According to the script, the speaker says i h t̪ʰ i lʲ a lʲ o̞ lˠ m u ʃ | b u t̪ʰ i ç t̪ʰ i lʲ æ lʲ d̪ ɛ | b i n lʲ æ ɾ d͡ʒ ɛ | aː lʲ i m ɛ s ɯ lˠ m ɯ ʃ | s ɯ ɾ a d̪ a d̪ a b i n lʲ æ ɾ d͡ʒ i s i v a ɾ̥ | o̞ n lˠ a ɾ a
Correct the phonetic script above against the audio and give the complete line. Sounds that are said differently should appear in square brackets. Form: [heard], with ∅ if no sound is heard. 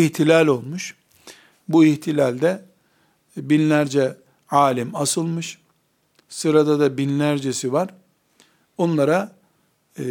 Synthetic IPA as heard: i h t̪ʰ i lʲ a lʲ o̞ lˠ m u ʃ | b u [∅] i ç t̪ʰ i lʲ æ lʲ d̪ ɛ | b i n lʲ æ ɾ d͡ʒ ɛ | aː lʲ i m [a] s ɯ lˠ m ɯ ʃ | s ɯ ɾ a d̪ a d̪ a b i n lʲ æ ɾ d͡ʒ [e] s i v a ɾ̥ | o̞ n lˠ a ɾ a